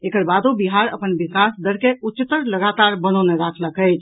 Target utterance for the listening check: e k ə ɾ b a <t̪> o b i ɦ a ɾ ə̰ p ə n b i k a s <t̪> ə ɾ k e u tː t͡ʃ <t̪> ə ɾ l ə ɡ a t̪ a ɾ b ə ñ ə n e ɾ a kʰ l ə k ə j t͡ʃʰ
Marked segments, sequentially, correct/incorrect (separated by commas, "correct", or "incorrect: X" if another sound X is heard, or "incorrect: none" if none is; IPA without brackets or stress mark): incorrect: d̪, incorrect: d̪, correct